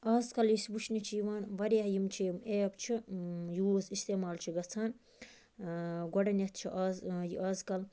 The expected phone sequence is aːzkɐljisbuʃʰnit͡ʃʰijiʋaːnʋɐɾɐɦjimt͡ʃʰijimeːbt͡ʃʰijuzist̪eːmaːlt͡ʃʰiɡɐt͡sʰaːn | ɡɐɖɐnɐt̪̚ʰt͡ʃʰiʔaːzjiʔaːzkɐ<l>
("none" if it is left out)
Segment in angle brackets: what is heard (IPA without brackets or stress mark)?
l